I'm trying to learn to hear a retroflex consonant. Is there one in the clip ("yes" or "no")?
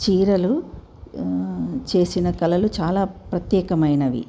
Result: no